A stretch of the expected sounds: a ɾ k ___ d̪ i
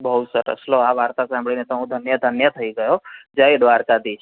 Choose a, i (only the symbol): a